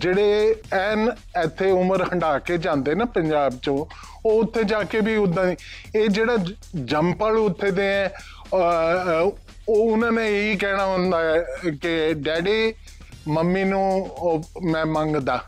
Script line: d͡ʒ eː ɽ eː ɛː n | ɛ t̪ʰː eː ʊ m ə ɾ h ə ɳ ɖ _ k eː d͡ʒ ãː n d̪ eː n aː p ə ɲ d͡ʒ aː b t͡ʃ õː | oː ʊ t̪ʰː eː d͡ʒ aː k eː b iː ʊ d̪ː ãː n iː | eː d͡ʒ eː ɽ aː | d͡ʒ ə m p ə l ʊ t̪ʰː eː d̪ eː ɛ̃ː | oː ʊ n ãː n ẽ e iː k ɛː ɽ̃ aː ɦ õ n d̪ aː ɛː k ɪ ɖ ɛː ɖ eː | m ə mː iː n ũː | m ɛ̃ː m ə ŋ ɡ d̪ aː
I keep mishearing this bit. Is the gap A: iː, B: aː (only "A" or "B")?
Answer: B